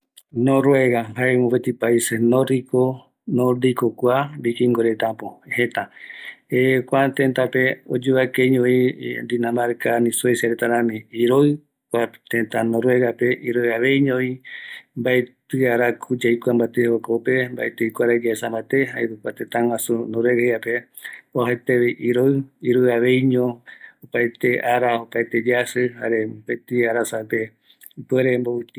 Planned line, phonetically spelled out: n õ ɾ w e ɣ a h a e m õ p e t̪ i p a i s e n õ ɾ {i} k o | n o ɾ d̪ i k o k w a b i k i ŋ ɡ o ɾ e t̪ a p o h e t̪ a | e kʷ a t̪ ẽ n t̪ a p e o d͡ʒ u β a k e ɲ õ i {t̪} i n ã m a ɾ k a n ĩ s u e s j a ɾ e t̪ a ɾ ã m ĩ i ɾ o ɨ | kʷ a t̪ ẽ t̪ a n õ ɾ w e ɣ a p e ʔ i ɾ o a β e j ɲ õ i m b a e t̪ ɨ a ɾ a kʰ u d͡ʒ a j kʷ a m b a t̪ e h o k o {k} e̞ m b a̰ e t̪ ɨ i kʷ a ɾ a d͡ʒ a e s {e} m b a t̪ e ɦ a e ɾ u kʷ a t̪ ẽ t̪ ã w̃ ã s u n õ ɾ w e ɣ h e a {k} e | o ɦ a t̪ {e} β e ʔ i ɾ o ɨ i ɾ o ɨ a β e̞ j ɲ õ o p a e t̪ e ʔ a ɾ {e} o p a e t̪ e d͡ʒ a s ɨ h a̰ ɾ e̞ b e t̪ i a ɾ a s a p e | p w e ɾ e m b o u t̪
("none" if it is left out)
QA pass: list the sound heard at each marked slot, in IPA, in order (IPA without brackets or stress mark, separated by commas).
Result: i, d̪, p, a, p, e, a